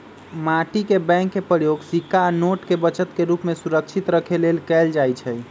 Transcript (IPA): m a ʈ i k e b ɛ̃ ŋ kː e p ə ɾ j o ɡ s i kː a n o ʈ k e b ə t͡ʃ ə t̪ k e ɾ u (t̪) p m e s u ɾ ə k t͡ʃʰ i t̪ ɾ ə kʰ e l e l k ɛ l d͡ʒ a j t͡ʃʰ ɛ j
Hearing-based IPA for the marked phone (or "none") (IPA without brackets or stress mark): none